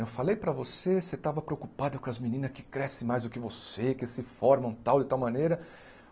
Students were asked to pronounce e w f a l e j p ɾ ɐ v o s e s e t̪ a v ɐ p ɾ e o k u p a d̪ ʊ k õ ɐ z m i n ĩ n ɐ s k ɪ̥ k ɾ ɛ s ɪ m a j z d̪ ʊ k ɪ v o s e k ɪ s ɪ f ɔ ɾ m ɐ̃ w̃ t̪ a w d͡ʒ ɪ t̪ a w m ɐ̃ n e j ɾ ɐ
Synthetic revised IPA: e w f a l e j p ɾ ɐ v o s e s e t̪ a v ɐ p ɾ e o k u p a d̪ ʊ k õ ɐ z m i n ĩ n ɐ s k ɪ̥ k ɾ ɛ s ɪ m a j z d̪ ʊ k ɪ v o s e k ɪ s ɪ f ɔ ɾ m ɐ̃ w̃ t̪ a w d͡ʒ ɪ t̪ a w m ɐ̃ n e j ɾ ɐ